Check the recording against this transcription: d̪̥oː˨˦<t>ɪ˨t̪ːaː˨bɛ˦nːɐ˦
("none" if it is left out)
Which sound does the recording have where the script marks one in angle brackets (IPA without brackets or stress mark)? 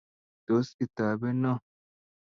s